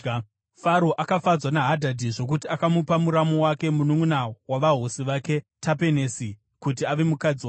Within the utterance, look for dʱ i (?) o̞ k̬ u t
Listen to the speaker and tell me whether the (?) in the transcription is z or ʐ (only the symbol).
ʐ